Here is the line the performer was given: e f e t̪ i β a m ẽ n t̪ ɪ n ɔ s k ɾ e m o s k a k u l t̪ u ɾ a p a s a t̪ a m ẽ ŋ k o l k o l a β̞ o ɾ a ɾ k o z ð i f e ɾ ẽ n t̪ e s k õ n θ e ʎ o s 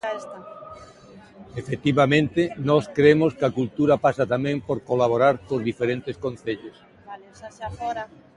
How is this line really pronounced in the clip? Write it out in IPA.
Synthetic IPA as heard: e f e t̪ i β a m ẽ n t̪ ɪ n ɔ s k ɾ e m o s k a k u l t̪ u ɾ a p a s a t̪ a m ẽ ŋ p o ɾ k o l a β̞ o ɾ a ɾ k o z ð i f e ɾ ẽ n t̪ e s k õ n θ e ʎ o s